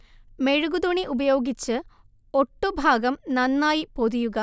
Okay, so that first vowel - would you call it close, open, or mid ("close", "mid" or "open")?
mid